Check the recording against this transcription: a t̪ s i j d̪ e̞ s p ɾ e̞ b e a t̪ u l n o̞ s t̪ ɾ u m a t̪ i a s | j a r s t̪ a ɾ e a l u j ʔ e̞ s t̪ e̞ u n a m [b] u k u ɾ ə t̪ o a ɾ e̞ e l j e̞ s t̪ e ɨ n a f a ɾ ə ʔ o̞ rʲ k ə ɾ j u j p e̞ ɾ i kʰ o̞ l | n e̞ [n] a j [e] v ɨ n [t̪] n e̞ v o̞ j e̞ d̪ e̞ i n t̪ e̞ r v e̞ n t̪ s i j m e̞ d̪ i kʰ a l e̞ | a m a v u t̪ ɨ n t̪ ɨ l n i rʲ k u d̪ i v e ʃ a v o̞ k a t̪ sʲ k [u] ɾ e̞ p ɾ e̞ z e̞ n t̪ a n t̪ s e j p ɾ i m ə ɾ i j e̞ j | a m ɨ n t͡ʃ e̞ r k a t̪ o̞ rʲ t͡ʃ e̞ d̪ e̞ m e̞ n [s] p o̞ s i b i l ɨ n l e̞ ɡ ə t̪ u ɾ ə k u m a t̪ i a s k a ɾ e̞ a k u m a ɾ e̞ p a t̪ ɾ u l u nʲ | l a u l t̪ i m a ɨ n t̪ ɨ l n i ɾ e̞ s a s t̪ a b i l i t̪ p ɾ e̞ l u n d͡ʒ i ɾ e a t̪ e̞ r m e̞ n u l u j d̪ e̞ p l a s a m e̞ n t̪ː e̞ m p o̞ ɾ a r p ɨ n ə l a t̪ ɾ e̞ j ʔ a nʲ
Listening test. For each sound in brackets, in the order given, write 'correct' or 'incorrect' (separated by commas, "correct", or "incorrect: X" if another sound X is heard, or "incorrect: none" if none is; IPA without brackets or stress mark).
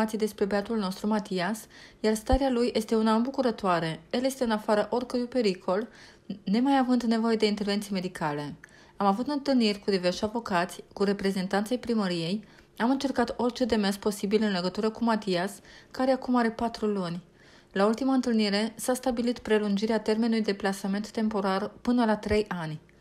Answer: correct, incorrect: m, incorrect: a, incorrect: d̪, correct, correct